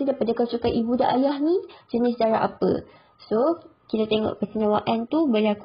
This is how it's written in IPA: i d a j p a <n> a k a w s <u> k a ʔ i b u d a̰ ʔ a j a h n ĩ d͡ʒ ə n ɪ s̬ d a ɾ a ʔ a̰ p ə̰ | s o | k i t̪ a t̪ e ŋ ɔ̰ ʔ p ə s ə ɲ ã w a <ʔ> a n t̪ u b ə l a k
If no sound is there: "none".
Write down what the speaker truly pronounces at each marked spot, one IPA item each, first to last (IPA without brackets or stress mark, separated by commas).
d, u, ʔ